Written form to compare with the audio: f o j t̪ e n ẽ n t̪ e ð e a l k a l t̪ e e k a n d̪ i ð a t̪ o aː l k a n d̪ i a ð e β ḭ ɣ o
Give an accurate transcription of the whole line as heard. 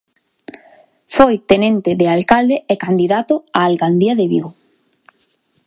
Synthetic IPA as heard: f o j t̪ e n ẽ n t̪ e ð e a l k a l d̪ e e k a n d̪ i ð a t̪ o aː l k a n d̪ i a ð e β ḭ ɣ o